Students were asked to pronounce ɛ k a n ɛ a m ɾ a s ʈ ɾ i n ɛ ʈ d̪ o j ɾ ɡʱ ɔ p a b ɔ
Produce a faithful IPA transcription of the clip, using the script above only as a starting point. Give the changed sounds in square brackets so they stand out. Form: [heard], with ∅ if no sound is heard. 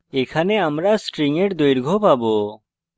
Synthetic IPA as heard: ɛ [kʰ] a n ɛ a m ɾ a s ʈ ɾ i [ŋ] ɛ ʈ d̪ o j ɾ ɡʱ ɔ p a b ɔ